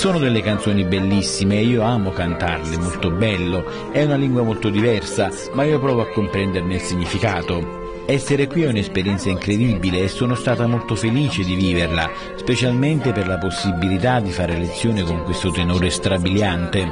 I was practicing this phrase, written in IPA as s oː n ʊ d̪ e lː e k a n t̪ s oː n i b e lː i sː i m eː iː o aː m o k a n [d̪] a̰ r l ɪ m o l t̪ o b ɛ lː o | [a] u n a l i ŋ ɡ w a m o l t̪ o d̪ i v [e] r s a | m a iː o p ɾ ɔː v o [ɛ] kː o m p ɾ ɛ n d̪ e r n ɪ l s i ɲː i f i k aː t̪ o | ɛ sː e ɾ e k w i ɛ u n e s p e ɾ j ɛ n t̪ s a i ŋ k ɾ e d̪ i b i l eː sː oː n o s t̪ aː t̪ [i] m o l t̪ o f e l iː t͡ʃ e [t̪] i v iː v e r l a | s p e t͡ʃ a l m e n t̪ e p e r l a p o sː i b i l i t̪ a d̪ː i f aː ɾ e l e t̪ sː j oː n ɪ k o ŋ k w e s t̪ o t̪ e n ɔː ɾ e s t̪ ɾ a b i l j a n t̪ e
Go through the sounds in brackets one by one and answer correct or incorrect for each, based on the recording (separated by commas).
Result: incorrect, incorrect, incorrect, incorrect, incorrect, incorrect